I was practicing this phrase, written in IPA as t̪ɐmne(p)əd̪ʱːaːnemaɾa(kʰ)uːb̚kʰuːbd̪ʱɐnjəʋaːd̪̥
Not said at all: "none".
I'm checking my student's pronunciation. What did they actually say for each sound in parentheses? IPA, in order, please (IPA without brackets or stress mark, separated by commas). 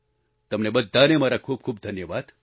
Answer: b, kʰ